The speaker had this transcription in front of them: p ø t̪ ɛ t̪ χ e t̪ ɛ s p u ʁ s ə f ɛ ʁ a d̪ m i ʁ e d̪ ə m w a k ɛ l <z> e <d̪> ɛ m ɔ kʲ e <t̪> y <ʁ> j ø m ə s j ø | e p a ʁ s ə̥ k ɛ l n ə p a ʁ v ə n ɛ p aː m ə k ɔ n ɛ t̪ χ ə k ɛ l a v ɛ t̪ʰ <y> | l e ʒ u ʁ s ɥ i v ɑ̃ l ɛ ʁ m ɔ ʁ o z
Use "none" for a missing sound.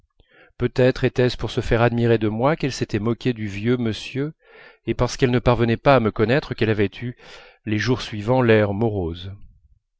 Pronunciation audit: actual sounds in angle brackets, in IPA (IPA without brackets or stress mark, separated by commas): s, t̪, d̪, v, y